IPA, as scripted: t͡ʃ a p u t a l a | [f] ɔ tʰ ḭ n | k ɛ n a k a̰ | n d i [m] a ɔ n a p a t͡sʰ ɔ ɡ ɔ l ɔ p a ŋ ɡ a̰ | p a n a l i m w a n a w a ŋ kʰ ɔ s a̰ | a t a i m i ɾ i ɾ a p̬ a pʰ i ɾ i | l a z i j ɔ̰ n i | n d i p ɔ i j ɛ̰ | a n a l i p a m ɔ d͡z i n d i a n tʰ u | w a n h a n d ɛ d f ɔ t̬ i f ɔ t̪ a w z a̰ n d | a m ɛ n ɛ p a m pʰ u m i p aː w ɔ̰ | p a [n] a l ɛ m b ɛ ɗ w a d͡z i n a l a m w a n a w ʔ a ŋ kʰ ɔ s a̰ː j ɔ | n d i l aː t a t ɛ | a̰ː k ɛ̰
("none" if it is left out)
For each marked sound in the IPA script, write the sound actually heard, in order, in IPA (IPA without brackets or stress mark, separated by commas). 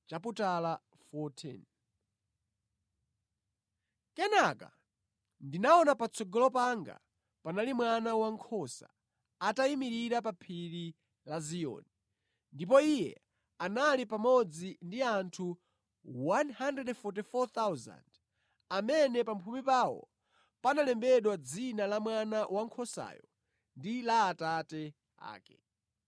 f, n, n